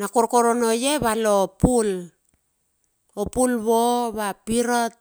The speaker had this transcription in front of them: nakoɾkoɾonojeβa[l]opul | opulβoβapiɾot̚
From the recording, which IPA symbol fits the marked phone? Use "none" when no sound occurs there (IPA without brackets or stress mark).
l